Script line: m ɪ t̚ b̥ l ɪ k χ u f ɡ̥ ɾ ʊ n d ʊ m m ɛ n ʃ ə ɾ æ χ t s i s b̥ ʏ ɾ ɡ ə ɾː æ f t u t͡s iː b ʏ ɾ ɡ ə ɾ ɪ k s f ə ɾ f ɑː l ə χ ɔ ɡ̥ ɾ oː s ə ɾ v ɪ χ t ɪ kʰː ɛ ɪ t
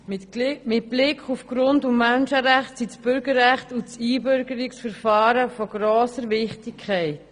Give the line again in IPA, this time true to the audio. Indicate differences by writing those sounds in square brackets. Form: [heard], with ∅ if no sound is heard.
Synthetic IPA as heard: m ɪ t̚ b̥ l ɪ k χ u f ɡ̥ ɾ ʊ n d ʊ m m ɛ n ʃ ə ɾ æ χ t s i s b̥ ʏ ɾ ɡ ə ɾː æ [χ] t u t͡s iː b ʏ ɾ ɡ ə ɾ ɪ k s f ə ɾ f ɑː [ɾ] ə [f] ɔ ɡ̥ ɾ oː s ə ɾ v ɪ χ t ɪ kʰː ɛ ɪ t